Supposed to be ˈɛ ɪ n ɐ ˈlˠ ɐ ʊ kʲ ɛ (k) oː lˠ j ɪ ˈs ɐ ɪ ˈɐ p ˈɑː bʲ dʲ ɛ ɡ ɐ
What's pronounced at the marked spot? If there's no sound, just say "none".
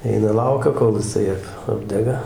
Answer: k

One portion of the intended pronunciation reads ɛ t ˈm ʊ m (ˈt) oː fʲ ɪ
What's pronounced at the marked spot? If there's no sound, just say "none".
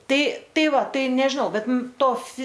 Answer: t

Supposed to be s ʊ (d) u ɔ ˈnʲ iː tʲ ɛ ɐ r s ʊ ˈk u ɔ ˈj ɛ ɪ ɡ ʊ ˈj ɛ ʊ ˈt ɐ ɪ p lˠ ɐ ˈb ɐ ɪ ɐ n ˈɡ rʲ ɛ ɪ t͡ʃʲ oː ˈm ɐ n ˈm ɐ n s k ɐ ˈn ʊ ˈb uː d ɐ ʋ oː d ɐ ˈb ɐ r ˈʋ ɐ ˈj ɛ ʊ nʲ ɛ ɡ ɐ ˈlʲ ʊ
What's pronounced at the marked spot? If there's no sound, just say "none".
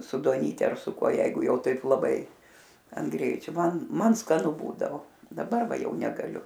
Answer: d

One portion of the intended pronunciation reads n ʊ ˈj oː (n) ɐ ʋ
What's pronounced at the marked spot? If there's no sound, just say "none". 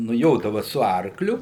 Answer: d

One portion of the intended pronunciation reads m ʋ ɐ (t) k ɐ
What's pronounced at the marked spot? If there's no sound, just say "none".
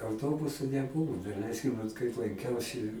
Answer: t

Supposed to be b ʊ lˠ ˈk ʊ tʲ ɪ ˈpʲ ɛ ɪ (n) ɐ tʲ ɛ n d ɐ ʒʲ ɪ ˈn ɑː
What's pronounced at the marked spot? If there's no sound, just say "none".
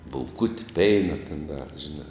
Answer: n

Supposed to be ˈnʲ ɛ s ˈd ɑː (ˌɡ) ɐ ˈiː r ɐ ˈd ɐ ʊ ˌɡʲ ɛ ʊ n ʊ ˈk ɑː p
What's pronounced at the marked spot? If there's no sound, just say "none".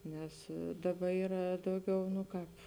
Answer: b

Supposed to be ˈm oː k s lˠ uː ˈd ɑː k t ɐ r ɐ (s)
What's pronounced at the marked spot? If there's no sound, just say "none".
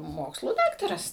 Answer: s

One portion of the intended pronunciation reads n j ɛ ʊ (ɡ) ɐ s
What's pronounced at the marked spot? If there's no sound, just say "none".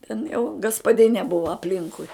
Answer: ɡ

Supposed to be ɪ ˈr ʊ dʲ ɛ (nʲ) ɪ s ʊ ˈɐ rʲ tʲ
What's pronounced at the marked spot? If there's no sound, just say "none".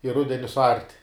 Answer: nʲ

